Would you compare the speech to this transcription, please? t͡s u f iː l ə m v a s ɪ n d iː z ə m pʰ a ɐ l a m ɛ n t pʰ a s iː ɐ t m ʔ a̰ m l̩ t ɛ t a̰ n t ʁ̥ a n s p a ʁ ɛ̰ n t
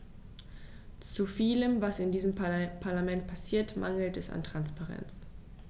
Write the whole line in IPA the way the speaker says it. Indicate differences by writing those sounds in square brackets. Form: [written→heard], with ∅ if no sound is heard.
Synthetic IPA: t͡s u f iː l ə m v a s ɪ n d iː z ə m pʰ a ɐ l a m ɛ n t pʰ a s iː ɐ t m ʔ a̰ [m→ŋ] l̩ t ɛ [t→s] a̰ n t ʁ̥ a n s p a ʁ ɛ̰ n [t→t͡s]